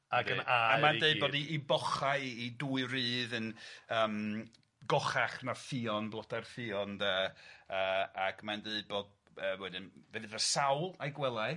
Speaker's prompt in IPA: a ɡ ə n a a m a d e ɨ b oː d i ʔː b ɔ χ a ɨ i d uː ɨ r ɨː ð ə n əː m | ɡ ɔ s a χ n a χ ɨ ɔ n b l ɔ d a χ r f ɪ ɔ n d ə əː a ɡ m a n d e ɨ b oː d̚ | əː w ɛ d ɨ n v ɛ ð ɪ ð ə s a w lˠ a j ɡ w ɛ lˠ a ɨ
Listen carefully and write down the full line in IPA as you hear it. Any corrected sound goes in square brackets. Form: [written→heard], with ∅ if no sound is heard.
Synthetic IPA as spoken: a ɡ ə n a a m a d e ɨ b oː d i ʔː b ɔ χ a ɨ i d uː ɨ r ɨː ð ə n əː m | ɡ ɔ [s→χ] a χ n a [χ→f] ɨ ɔ n b l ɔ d a [χ→∅] r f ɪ ɔ n d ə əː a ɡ m a n d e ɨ b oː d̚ | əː w ɛ d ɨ n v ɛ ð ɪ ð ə s a w lˠ a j ɡ w ɛ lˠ a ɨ